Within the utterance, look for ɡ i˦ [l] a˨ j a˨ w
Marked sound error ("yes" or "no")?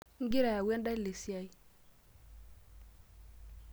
yes